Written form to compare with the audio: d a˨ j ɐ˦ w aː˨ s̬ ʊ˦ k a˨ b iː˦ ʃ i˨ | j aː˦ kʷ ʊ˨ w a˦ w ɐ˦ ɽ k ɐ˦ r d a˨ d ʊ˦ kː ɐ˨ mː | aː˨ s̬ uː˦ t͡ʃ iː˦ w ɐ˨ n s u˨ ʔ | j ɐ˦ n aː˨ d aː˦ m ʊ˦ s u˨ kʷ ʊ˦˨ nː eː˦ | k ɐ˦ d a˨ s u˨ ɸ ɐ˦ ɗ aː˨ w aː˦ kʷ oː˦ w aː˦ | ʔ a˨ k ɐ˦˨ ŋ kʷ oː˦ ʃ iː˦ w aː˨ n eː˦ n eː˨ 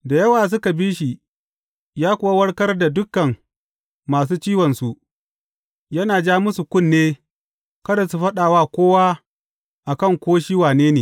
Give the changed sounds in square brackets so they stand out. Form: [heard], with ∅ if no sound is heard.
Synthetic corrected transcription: d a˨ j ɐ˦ w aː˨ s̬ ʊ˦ k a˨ b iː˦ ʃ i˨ | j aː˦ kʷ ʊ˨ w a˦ w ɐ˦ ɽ k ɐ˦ r d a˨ d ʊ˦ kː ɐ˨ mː | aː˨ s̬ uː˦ t͡ʃ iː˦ w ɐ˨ n s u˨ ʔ | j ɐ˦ n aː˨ [d͡ʒ] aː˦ m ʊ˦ s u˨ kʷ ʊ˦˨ nː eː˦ | k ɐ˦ d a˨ s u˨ ɸ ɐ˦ ɗ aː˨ w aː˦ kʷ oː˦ w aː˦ | ʔ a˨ k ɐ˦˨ ŋ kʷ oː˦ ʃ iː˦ w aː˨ n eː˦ n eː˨

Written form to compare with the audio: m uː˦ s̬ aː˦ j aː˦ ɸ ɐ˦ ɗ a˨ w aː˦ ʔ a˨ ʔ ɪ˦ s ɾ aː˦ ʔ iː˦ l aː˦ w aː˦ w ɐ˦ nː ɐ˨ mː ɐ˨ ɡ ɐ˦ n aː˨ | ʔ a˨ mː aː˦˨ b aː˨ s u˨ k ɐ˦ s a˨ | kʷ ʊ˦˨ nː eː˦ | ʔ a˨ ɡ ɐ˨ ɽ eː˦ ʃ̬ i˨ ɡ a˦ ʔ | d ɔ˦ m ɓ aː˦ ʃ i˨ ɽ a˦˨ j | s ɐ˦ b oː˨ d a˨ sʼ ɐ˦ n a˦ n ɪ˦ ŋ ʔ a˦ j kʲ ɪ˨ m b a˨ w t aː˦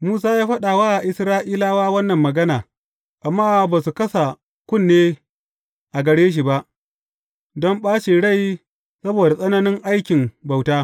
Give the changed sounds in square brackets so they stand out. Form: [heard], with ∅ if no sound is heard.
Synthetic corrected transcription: m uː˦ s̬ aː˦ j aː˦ ɸ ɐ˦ ɗ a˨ w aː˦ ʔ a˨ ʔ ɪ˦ s ɾ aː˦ ʔ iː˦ l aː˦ w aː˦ w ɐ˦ nː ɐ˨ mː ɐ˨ ɡ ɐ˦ n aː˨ | ʔ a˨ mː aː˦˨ b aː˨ s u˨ k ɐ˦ s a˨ | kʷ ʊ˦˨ nː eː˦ | ʔ a˨ ɡ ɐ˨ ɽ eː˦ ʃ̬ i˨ [b] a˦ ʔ | d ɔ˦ m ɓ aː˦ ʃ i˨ ɽ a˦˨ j | s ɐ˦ b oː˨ d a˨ sʼ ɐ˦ n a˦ n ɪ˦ ŋ ʔ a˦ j kʲ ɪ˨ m b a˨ w t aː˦

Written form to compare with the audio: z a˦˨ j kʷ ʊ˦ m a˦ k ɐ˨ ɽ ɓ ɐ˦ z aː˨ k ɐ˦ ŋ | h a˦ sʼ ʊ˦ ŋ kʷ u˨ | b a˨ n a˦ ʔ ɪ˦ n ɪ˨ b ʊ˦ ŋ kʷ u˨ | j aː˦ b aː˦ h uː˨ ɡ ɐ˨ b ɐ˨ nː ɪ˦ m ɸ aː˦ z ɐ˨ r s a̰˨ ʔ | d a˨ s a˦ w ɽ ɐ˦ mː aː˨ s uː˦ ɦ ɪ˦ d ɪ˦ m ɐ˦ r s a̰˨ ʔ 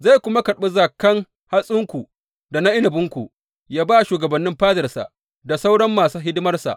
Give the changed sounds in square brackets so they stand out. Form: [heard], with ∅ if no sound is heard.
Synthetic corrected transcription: z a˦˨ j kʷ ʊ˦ m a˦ k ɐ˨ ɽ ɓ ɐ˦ z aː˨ k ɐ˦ ŋ | h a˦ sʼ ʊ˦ ŋ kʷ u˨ | [d] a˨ n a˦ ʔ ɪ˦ n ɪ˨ b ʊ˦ ŋ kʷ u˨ | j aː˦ b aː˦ [ʃ] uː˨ ɡ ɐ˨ b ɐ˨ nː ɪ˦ m ɸ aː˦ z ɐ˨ r s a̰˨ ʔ | d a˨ s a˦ w ɽ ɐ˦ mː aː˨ s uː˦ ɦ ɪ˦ d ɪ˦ m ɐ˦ r s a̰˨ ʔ

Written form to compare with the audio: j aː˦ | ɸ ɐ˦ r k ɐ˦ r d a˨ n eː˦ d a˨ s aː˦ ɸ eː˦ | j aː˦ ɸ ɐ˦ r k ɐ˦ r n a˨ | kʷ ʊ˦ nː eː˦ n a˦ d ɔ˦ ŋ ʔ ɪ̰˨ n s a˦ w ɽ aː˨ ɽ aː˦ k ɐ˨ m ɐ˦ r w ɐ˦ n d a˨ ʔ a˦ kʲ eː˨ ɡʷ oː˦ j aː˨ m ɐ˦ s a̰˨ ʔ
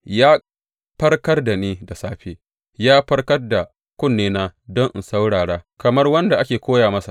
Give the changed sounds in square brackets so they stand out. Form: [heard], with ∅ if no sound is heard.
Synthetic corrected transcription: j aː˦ | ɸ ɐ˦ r k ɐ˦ r d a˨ n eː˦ d a˨ s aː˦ ɸ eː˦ | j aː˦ ɸ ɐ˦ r k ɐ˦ r [d] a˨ | kʷ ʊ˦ nː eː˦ n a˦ d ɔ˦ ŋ ʔ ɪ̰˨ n s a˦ w ɽ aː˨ ɽ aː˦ k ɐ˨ m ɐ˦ r w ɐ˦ n d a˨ ʔ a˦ kʲ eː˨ [kʷ] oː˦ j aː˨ m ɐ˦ s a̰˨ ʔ

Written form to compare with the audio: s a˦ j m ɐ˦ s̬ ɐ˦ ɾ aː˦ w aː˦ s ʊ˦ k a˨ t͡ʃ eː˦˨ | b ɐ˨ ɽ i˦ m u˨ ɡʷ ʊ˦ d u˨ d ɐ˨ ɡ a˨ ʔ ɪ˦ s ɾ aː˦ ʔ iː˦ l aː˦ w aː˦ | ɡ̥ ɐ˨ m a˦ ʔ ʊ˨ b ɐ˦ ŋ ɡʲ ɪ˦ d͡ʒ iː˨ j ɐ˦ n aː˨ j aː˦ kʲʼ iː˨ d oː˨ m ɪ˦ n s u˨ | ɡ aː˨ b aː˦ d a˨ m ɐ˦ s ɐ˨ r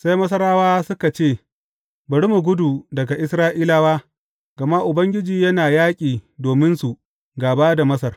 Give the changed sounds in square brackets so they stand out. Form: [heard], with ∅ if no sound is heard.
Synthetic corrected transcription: s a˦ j m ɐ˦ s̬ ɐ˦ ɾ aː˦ w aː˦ s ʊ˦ k a˨ t͡ʃ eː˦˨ | b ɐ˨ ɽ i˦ m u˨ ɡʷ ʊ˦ d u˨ d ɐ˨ ɡ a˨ ʔ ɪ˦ s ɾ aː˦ ʔ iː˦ l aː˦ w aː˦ | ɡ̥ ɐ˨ m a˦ ʔ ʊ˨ b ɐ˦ ŋ ɡʲ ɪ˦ d͡ʒ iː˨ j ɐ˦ n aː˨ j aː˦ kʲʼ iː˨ d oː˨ m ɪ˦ n s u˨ | ɡ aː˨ b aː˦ d a˨ m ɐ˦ s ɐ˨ r

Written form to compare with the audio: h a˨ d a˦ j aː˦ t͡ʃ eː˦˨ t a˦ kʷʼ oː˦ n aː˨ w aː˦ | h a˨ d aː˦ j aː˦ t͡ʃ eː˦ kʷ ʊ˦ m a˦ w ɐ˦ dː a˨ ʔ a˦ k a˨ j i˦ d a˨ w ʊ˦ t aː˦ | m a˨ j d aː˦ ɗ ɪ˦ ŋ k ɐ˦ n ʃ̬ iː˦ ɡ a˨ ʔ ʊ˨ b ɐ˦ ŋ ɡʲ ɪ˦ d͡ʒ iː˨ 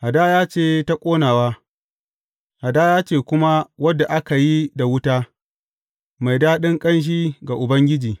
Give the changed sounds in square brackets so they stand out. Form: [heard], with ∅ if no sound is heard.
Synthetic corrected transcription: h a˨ d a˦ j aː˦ t͡ʃ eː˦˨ t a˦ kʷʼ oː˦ n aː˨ w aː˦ | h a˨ d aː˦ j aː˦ t͡ʃ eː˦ kʷ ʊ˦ m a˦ w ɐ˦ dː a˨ ʔ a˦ k a˨ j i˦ d a˨ w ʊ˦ t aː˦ | m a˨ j d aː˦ ɗ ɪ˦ ŋ [kʼ] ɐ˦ n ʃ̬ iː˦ ɡ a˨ ʔ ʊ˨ b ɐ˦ ŋ ɡʲ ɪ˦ d͡ʒ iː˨

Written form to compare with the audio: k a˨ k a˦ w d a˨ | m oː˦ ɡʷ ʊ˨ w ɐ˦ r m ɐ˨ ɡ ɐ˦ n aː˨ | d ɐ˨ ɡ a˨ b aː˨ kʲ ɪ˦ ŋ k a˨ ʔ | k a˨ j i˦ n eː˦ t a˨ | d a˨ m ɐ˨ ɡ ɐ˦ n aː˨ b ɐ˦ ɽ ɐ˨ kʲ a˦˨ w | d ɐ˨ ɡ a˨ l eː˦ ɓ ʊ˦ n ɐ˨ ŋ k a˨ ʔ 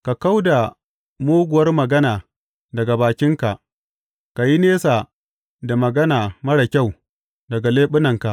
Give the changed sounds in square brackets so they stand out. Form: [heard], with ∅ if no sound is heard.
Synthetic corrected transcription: k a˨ k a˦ w d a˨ | m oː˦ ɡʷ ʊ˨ w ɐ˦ r m ɐ˨ ɡ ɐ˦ n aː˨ | d ɐ˨ ɡ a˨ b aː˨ kʲ ɪ˦ ŋ k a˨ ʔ | k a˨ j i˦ n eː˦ [s] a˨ | d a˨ m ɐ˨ ɡ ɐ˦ n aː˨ [m] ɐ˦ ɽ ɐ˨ kʲ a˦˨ w | d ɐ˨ ɡ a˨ l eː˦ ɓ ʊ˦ n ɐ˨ ŋ k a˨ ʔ

